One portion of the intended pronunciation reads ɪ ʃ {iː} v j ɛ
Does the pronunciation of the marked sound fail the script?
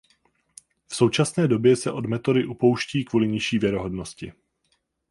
no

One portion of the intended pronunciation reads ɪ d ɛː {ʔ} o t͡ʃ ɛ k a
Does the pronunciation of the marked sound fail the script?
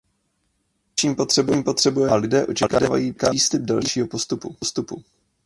no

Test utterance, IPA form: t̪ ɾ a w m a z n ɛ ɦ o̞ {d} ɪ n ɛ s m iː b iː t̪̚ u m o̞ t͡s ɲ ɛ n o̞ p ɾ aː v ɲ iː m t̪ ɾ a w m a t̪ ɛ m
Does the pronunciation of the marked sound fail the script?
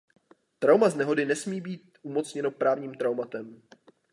no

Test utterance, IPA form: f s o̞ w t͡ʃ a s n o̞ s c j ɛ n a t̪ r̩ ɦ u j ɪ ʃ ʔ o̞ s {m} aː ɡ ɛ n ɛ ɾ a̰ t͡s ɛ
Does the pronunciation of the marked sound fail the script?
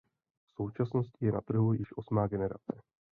no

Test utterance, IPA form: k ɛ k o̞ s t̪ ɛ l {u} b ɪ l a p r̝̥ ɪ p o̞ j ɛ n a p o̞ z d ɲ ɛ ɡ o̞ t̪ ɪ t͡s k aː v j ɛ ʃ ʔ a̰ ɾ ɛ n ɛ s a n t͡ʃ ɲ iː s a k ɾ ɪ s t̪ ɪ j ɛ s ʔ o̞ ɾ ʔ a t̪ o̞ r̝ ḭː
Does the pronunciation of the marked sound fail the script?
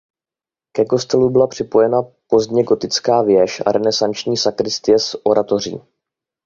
no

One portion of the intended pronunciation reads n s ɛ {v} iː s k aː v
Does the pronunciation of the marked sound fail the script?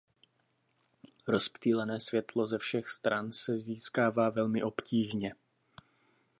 yes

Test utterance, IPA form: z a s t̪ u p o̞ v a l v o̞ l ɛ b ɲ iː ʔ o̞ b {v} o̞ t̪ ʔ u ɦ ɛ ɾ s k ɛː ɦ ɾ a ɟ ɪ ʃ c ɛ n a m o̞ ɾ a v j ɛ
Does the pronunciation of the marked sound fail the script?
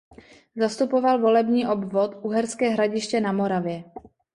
no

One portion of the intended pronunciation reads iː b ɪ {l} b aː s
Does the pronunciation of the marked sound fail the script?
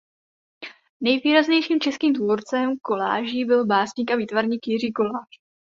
no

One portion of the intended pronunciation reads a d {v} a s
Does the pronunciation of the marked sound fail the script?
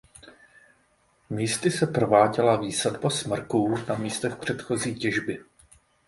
yes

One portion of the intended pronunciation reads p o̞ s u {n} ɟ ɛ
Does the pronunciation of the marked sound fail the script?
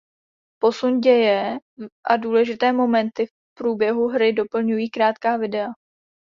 no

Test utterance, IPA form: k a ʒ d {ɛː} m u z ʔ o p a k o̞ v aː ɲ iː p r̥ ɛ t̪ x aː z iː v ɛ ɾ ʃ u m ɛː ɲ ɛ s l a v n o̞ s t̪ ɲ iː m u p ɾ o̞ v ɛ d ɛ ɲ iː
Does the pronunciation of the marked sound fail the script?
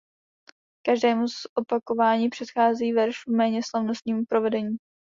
no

